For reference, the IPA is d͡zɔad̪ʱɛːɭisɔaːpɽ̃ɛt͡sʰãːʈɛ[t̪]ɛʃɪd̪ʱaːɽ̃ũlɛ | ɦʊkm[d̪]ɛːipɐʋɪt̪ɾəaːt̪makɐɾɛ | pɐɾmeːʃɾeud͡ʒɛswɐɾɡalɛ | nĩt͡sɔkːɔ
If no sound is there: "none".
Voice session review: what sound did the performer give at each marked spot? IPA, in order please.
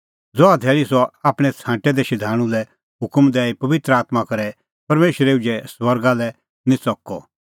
d̪, d̪

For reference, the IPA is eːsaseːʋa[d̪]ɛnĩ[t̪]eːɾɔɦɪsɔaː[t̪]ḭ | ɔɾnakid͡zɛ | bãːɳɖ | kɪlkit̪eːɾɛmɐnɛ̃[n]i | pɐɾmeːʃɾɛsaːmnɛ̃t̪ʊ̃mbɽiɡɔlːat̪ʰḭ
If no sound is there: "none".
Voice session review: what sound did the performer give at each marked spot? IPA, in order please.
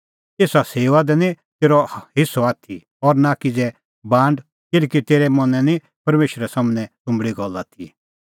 d̪, t̪, t̪ʰ, n

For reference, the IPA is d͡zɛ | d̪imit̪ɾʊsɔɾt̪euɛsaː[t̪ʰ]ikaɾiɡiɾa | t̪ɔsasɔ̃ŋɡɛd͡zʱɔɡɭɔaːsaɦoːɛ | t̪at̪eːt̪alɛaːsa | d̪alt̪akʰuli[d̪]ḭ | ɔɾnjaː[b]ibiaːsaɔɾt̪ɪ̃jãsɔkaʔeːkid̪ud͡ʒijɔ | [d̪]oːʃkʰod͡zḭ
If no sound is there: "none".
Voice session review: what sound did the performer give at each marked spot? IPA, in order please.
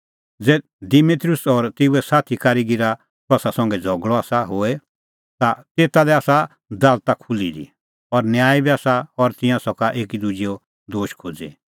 t̪ʰ, d̪, none, d̪

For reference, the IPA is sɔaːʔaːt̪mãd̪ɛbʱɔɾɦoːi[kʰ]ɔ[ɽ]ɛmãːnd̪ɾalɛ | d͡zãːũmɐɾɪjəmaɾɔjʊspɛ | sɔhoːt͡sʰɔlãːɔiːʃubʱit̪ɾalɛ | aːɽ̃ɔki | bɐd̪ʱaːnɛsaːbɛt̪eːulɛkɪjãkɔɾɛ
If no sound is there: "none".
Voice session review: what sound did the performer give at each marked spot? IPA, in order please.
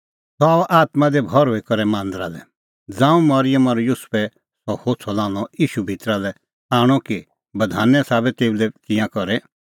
k, ɾ

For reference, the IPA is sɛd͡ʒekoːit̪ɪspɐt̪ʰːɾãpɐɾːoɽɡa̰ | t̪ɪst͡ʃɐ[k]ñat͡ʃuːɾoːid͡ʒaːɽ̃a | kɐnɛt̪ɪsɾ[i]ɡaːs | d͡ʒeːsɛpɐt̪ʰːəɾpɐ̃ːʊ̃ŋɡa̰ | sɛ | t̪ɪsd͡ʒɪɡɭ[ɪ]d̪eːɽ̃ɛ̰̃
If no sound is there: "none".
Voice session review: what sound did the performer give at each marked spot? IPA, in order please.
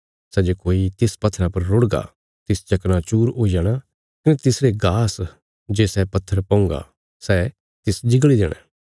k, e, i

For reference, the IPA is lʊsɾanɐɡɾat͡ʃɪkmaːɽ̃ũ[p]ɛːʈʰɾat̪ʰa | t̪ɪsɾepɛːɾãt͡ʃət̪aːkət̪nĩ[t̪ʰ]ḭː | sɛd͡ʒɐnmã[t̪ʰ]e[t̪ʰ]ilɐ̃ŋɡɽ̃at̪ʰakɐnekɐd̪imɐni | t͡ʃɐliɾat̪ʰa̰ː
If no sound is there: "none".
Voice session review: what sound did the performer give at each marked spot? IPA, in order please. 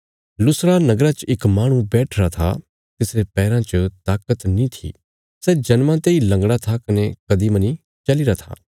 b, t̪ʰ, t̪, none

